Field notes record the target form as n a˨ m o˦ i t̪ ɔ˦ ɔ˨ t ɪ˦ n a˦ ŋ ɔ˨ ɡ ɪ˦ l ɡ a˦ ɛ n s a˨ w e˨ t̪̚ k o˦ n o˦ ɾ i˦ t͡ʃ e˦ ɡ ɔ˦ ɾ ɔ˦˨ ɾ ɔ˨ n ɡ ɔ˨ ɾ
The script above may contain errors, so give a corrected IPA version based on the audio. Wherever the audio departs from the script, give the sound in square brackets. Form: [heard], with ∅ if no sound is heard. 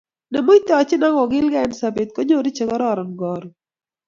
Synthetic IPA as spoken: n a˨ m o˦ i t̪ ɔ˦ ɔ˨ [t͡ʃ] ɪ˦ n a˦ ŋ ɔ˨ ɡ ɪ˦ l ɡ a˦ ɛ n s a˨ [b] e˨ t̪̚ k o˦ [ɲ] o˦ ɾ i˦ t͡ʃ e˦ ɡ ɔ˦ ɾ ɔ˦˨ ɾ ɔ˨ n ɡ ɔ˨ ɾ